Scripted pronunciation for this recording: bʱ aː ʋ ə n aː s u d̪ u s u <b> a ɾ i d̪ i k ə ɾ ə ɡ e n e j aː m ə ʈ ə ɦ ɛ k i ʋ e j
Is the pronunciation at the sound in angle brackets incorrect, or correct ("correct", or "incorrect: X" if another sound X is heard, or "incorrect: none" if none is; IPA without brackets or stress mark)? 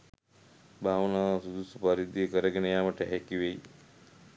incorrect: p